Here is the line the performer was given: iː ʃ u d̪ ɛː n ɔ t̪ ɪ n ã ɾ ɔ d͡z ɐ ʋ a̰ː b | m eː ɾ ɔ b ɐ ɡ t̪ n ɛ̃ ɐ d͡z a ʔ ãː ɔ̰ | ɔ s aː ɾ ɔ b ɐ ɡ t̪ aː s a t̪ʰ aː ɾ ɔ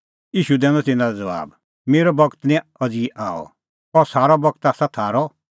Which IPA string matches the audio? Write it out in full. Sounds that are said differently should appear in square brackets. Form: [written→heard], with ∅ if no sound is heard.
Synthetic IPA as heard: iː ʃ u d̪ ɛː n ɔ t̪ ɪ n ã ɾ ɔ d͡z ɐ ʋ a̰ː b | m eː ɾ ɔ b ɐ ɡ t̪ n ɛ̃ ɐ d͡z [a→i] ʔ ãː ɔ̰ | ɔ s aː ɾ ɔ b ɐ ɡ t̪ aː s a t̪ʰ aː ɾ ɔ